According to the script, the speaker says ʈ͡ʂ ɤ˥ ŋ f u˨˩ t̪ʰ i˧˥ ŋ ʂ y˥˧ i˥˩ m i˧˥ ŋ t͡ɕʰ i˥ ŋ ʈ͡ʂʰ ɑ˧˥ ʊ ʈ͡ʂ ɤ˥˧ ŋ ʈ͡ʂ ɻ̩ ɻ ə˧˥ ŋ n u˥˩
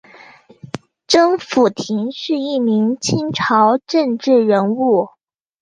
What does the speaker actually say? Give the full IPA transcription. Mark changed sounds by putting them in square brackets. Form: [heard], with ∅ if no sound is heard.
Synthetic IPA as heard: ʈ͡ʂ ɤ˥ ŋ f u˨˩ t̪ʰ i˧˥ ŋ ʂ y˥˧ i˥˩ m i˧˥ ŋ t͡ɕʰ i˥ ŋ ʈ͡ʂʰ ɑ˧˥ ʊ ʈ͡ʂ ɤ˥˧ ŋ ʈ͡ʂ ɻ̩ ɻ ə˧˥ [∅] n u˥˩